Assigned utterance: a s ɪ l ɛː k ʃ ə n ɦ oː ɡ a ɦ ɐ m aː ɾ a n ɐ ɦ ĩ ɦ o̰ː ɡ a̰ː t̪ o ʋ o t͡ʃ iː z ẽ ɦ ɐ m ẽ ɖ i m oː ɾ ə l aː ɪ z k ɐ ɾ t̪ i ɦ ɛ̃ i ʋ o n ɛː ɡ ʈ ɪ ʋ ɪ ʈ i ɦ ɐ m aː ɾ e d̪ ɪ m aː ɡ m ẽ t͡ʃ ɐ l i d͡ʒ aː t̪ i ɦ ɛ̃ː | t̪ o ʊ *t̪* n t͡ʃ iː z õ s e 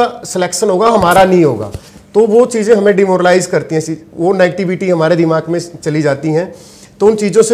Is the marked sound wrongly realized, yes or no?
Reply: yes